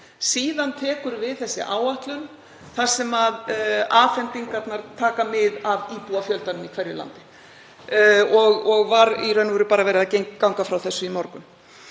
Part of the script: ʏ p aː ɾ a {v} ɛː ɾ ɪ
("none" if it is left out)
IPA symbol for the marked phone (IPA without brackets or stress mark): v